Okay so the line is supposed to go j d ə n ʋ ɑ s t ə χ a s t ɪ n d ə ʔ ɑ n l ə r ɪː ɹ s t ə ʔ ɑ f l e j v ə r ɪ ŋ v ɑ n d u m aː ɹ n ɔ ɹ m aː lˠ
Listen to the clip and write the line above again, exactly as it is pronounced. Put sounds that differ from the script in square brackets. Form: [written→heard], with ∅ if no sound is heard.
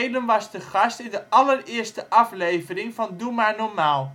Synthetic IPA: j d ə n ʋ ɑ s t ə χ [a→ɑ] s t ɪ n d ə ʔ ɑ [n→∅] l ə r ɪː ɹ s t ə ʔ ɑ f l e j v ə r ɪ ŋ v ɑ n d u m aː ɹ n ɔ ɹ m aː lˠ